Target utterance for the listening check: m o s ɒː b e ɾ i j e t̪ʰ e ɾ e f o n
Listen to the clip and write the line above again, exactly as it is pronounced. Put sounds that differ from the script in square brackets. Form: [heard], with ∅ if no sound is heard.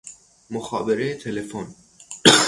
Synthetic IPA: m o [x] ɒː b e ɾ [e] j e t̪ʰ e [l] e f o n